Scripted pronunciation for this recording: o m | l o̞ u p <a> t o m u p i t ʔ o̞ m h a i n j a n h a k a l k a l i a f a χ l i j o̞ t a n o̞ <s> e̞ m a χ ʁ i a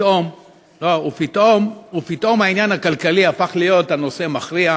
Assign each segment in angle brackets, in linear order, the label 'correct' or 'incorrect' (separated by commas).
incorrect, correct